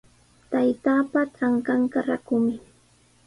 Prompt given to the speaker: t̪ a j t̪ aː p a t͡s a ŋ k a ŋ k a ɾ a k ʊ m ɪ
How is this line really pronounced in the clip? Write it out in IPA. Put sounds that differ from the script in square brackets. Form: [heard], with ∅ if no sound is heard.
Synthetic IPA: t̪ a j t̪ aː p a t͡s a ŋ k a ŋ k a ɾ a k ʊ m ɪ